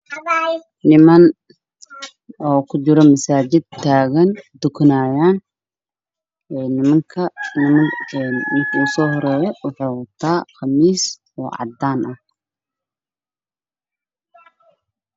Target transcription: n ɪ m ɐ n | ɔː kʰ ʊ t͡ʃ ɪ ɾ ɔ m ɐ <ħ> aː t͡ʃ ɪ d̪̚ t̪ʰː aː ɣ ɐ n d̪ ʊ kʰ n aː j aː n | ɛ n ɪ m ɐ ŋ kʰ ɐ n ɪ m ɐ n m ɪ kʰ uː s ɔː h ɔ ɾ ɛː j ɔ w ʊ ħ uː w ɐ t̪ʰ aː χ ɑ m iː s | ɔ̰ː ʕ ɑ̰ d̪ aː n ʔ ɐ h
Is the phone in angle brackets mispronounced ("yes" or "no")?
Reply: yes